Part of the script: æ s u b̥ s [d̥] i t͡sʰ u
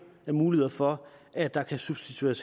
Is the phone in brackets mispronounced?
no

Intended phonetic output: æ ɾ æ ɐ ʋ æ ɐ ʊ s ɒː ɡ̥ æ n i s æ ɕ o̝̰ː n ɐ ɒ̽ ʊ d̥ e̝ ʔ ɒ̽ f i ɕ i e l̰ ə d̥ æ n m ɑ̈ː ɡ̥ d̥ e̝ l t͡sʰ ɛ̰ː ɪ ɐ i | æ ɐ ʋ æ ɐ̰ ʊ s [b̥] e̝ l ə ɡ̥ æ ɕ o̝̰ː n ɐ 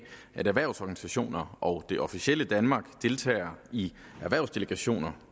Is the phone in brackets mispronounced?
yes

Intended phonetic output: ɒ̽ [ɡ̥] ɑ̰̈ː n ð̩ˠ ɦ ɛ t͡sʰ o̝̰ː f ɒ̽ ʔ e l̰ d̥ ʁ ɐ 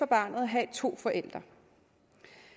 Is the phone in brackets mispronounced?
yes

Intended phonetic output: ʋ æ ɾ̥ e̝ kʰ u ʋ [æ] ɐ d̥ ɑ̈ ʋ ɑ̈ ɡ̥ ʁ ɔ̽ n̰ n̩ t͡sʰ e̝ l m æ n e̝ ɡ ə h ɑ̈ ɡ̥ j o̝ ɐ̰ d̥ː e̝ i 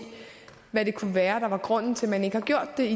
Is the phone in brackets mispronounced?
yes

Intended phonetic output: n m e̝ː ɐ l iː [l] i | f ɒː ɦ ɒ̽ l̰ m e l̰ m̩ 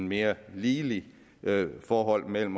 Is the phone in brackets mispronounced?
no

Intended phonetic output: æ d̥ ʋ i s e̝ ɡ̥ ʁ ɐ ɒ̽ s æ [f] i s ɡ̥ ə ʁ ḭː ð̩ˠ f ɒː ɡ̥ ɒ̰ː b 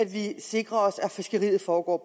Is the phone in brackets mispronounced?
no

